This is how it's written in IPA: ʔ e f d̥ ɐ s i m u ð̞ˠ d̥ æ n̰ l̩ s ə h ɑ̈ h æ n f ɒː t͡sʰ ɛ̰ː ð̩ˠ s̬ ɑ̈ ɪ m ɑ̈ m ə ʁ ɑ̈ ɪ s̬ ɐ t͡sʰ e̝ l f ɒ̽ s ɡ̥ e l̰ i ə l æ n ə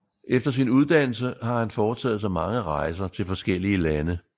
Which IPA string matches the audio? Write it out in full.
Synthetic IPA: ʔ e f d̥ ɐ s i n u ð̞ˠ d̥ æ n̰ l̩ s ə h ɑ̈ h æ n f ɒː t͡sʰ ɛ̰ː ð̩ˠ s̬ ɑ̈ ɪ m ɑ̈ ŋ ə ʁ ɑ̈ ɪ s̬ ɐ t͡sʰ e̝ l f ɒ̽ s ɡ̥ e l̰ i ə l æ n ə